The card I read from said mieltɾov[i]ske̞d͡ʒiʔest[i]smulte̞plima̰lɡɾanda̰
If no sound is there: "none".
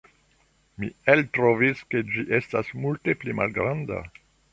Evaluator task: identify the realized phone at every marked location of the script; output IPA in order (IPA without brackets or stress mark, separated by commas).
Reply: i, a